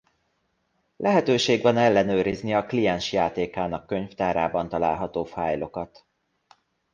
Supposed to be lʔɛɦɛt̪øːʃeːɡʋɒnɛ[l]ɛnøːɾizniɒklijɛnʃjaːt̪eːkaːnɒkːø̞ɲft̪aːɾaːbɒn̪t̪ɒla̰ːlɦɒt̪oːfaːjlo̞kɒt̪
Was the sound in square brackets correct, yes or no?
no